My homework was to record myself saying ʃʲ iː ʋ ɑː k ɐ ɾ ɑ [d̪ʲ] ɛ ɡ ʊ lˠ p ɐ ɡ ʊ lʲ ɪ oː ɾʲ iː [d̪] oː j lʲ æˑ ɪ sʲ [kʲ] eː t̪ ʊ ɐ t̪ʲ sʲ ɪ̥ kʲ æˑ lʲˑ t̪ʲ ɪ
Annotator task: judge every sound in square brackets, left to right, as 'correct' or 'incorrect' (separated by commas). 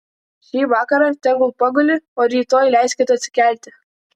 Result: incorrect, incorrect, correct